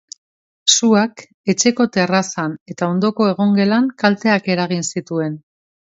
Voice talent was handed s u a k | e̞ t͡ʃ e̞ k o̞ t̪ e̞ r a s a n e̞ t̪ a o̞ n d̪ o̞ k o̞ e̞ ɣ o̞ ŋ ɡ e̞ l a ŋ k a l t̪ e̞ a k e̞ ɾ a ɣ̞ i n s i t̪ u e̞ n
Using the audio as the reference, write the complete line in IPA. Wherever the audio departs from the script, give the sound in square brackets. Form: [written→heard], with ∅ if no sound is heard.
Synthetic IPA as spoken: s u a k | e̞ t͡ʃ e̞ k o̞ t̪ e̞ r a s a n e̞ t̪ a o̞ n d̪ o̞ k o̞ e̞ ɣ o̞ ŋ ɡ e̞ l a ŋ k a l t̪ e̞ a k e̞ ɾ a ɣ̞ i n s i t̪ u e̞ n